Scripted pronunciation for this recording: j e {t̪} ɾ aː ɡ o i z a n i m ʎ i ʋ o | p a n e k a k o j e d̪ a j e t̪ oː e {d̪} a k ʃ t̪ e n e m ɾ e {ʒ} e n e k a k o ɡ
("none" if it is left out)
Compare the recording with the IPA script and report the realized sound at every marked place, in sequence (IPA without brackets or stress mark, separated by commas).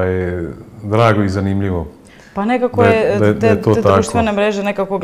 d̪, t̪, ʒ